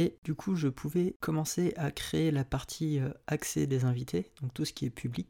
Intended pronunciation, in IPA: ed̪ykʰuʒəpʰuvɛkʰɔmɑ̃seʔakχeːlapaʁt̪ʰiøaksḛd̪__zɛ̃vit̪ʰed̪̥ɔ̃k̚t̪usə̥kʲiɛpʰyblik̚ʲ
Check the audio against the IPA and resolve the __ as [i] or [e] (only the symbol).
e